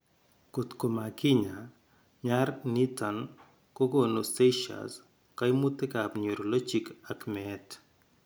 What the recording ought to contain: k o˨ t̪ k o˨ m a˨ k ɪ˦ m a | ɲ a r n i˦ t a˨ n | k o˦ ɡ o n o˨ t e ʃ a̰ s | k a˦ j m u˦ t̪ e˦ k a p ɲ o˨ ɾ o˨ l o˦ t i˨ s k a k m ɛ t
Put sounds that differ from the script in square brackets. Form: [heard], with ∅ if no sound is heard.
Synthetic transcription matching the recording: k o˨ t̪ k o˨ m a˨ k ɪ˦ [ɲ] a | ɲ a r n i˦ t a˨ n | k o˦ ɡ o n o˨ [s] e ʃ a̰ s | k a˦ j m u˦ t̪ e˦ k a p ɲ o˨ ɾ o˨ l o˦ [t͡ʃ] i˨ [∅] k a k m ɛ t